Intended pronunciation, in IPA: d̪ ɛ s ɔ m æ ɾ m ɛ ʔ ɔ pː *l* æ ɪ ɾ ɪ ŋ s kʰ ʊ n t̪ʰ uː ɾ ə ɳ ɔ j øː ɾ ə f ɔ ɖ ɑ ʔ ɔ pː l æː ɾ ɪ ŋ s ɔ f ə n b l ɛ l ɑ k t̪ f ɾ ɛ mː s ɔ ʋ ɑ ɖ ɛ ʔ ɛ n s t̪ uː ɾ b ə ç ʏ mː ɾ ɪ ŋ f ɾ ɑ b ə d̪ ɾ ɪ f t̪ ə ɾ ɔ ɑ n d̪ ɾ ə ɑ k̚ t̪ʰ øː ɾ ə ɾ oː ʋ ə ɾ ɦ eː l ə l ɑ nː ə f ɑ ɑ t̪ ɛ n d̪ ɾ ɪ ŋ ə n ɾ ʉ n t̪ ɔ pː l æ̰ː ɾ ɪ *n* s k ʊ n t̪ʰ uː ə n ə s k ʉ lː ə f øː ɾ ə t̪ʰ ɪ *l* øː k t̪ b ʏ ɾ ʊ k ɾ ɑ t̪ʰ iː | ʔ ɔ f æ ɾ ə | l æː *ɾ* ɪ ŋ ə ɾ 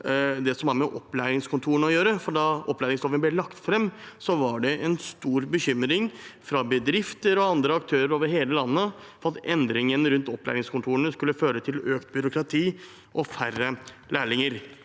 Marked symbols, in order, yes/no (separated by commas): yes, no, yes, no